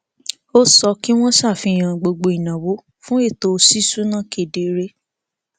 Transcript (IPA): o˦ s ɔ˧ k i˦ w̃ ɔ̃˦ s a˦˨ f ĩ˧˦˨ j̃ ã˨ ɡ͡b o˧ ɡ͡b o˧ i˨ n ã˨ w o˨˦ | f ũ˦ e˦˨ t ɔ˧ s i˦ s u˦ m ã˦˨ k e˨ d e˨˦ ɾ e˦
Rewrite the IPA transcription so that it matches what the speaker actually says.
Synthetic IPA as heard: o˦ s ɔ˧ k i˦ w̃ ɔ̃˦ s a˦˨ f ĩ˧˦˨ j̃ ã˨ ɡ͡b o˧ ɡ͡b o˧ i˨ n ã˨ w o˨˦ | f ũ˦ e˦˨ t o˧ s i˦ s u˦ n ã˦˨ k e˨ d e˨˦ ɾ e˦